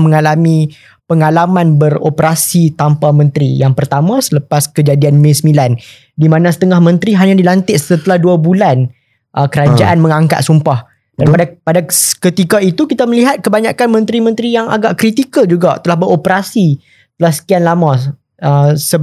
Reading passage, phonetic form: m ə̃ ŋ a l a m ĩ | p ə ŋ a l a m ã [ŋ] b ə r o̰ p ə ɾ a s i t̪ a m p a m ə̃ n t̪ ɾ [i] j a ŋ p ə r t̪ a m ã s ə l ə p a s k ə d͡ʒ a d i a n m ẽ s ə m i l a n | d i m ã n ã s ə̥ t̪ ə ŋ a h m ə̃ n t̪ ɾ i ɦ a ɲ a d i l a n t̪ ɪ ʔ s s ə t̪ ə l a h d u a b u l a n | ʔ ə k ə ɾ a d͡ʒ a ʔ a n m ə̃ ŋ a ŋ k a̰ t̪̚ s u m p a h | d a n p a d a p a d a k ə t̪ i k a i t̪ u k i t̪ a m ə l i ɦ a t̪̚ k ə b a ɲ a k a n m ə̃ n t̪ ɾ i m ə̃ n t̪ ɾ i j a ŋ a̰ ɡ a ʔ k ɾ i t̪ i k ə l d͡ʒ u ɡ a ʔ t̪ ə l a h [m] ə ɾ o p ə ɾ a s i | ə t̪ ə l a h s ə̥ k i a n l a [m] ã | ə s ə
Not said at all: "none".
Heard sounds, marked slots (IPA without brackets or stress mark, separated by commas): n, i, b, m